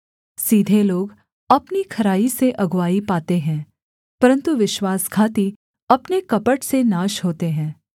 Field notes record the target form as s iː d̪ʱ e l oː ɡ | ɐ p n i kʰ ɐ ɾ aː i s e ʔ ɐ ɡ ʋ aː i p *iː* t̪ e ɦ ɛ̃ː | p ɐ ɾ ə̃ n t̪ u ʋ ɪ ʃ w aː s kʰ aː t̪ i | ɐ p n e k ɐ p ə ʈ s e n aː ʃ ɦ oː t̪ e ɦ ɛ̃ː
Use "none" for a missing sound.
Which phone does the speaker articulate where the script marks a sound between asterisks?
aː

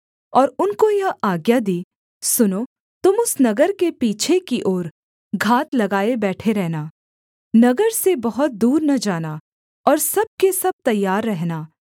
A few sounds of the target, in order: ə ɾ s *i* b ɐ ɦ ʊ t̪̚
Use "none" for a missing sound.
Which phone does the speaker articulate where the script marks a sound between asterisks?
e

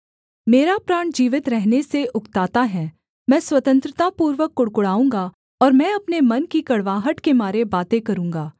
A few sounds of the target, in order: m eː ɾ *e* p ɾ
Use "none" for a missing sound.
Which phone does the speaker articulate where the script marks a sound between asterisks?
a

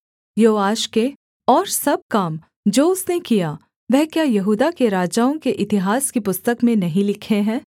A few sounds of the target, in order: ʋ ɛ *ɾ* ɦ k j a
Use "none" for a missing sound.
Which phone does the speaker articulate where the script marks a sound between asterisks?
none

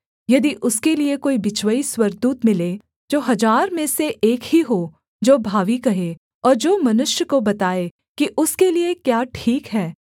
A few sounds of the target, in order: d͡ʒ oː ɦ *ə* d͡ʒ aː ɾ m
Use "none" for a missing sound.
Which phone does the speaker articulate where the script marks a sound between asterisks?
ɐ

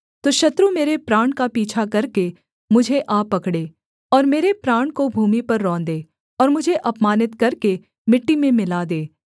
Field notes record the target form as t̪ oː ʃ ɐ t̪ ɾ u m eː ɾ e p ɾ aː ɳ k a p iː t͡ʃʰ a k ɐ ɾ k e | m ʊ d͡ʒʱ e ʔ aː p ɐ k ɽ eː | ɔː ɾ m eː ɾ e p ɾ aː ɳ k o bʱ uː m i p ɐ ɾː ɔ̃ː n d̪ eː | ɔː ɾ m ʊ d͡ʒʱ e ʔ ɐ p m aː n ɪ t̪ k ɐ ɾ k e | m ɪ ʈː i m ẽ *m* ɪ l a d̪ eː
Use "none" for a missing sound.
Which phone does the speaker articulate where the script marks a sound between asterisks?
m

